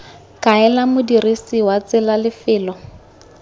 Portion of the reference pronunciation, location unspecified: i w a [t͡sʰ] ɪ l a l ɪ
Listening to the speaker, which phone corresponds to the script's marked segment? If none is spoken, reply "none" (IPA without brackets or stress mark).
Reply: t͡s